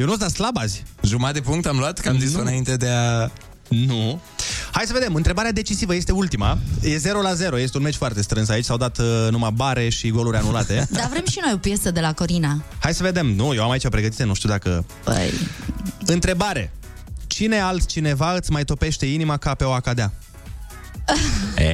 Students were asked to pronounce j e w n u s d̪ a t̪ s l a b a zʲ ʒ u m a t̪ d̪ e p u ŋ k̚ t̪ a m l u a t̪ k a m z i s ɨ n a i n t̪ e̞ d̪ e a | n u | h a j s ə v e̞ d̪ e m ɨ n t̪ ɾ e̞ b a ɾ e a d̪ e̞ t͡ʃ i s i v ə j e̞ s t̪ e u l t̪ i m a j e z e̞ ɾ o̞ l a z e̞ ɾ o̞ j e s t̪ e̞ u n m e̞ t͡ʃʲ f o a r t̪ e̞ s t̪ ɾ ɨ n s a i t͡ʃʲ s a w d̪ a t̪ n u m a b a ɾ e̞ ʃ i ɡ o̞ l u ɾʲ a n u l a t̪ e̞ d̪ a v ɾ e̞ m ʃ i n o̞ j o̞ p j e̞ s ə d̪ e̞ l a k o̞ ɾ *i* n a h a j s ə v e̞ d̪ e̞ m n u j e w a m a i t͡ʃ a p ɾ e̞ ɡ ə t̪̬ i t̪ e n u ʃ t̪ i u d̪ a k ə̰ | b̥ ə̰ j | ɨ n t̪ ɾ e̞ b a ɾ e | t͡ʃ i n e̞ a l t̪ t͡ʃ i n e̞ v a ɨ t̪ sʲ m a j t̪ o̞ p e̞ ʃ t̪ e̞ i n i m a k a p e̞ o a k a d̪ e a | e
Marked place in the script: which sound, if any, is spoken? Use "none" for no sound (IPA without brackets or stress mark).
i